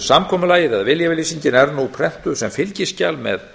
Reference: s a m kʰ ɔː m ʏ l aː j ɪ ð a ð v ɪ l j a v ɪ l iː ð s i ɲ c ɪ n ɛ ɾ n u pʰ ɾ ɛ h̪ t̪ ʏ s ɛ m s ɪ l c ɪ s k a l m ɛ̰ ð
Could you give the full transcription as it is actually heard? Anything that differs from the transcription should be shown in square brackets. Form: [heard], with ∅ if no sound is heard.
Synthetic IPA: s a m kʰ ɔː m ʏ l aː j ɪ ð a ð v ɪ l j a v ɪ l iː [∅] s i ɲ c ɪ n ɛ ɾ n u pʰ ɾ ɛ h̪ t̪ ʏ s ɛ m [f] ɪ l c ɪ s [c] a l m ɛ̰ ð